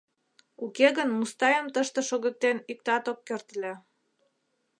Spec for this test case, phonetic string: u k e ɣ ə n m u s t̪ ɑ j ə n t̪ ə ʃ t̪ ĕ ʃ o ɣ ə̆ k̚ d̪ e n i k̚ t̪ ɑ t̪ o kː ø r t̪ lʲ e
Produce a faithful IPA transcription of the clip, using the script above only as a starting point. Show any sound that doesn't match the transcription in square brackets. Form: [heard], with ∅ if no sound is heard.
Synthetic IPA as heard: u k e ɣ ə n m u s t̪ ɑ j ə [m] t̪ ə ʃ t̪ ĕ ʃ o ɣ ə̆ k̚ [t̪] e n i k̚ t̪ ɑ t̪ o kː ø r t̪ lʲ e